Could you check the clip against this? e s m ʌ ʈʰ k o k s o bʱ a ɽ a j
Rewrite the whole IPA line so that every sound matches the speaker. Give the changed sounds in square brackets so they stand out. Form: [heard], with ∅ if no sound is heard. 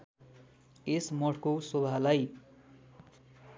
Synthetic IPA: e s m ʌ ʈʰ k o [∅] s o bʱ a [l] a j

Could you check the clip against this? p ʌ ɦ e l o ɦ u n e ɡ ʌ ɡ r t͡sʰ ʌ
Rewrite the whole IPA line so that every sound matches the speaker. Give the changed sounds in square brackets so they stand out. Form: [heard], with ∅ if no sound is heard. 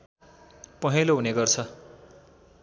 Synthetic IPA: p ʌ ɦ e l o ɦ u n e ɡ ʌ [∅] r t͡sʰ ʌ

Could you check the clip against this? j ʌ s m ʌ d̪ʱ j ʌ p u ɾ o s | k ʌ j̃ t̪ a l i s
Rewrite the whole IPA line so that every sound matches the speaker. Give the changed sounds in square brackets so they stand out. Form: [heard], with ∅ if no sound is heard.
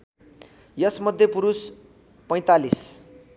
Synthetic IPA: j ʌ s m ʌ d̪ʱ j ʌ p u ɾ [u] s | [p] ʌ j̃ t̪ a l i s

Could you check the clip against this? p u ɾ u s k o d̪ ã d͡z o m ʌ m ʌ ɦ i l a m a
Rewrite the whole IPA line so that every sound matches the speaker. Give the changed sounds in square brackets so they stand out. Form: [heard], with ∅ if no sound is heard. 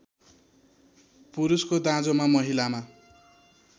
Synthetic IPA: p u ɾ u s k o d̪ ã d͡z o m [a] m ʌ ɦ i l a m a

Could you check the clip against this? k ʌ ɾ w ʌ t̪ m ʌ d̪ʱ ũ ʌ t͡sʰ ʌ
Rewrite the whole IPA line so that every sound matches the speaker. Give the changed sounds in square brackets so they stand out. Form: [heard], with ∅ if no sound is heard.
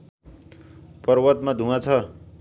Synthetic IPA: [p] ʌ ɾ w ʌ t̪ m [a] d̪ʱ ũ [a] t͡sʰ ʌ

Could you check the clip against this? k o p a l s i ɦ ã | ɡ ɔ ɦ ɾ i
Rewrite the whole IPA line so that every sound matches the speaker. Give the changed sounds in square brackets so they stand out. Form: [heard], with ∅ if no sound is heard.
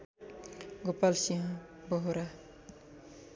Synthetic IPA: [ɡ] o p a l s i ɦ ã | [b] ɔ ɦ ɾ [a]

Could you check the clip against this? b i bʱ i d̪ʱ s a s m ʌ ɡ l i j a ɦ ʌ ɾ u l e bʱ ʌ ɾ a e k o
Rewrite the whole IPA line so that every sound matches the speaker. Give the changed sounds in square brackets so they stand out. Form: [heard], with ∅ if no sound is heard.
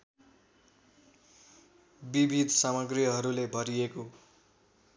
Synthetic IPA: b i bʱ i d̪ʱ s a [∅] m ʌ ɡ [r] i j [ʌ] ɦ ʌ ɾ u l e bʱ ʌ ɾ [i] e k o

